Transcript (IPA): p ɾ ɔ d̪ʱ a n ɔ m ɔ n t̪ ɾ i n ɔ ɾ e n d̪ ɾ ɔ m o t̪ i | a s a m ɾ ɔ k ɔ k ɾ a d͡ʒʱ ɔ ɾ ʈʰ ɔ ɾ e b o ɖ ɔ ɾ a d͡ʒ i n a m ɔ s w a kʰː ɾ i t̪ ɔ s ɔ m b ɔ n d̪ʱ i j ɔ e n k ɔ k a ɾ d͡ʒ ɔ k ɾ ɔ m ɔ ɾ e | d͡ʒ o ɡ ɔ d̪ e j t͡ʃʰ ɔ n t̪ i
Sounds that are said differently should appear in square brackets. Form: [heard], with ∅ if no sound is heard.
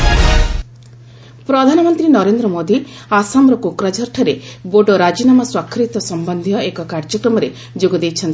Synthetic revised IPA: p ɾ ɔ d̪ʱ a n ɔ m ɔ n t̪ ɾ i n ɔ ɾ e n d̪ ɾ ɔ m o [d̪] i | a s a m ɾ ɔ k [o] k ɾ a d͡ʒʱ ɔ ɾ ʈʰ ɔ ɾ e b o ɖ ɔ ɾ a d͡ʒ i n a m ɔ s w a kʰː ɾ i t̪ ɔ s ɔ m b ɔ n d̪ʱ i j ɔ e [∅] k ɔ k a ɾ d͡ʒ ɔ k ɾ ɔ m ɔ ɾ e | d͡ʒ o ɡ ɔ d̪ e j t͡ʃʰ ɔ n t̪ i